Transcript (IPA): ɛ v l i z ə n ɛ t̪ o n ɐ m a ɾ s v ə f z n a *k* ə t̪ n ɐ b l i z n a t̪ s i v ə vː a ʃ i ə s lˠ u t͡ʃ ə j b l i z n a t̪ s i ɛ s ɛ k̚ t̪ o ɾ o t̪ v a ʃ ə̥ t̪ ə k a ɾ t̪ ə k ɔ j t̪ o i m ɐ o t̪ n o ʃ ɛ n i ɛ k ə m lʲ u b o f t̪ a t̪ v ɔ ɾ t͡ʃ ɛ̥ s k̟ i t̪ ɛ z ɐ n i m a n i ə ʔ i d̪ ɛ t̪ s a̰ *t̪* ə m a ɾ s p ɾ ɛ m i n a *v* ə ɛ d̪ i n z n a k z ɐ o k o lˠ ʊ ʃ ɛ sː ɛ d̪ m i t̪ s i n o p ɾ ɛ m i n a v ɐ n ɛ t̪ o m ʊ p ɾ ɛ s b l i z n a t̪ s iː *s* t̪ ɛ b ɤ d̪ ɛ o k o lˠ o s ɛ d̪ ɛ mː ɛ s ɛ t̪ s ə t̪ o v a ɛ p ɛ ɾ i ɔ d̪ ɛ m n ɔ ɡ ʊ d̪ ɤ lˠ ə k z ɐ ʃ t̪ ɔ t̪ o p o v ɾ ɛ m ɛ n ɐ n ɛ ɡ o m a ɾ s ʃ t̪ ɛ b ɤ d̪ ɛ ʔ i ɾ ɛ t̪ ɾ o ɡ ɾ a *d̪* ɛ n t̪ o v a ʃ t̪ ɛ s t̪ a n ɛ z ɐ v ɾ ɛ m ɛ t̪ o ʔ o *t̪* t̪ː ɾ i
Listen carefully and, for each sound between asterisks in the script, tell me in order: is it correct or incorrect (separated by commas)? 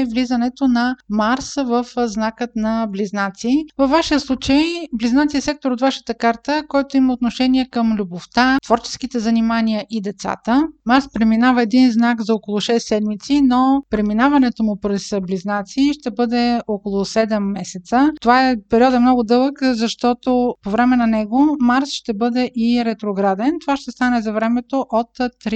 correct, correct, correct, incorrect, correct, correct